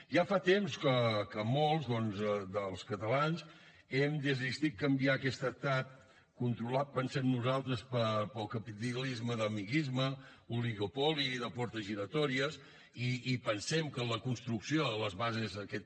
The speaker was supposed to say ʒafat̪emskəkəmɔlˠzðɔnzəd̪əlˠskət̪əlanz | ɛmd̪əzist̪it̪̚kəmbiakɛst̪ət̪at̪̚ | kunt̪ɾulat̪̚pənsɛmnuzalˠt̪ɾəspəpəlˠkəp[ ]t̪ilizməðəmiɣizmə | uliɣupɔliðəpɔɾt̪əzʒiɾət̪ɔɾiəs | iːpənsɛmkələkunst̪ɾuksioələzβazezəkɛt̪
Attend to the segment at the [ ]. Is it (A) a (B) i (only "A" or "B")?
B